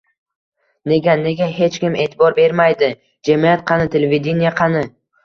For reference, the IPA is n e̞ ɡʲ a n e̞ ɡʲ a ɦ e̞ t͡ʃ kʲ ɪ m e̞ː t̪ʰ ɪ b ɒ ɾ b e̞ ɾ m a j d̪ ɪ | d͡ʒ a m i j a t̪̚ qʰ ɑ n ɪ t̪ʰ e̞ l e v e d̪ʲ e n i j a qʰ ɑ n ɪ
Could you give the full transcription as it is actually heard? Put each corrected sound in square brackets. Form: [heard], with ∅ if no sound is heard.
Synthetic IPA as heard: n e̞ ɡʲ a n e̞ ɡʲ a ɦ e̞ t͡ʃ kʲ ɪ m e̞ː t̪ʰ ɪ b ɒ ɾ b e̞ ɾ m a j d̪ ɪ | d͡ʒ a m i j a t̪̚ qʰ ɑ n ɪ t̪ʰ e̞ l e v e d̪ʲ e n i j a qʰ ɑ n ɪ